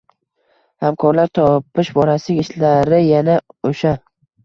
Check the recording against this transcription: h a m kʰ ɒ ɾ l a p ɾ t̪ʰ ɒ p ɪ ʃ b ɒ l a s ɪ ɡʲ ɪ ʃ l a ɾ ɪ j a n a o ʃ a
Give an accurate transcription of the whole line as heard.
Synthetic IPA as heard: h a m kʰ ɒ ɾ l a ɾ t̪ʰ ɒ p ɪ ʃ b ɒ ɾ a s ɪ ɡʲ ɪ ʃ l a ɾ ɪ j a n a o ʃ a